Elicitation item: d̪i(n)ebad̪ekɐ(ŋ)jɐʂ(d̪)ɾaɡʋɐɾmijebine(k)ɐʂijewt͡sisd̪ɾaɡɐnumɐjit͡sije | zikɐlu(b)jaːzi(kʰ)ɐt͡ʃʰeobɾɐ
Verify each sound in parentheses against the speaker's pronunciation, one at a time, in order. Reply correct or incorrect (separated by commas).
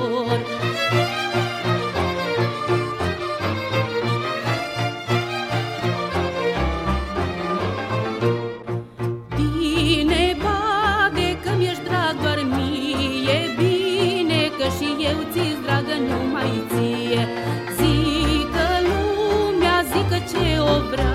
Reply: correct, incorrect, correct, correct, incorrect, incorrect